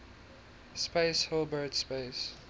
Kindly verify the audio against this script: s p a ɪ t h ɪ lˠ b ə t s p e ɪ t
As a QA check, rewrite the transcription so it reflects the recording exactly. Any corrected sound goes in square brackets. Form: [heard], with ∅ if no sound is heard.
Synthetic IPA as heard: s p [e] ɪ [s] h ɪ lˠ b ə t s p e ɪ [s]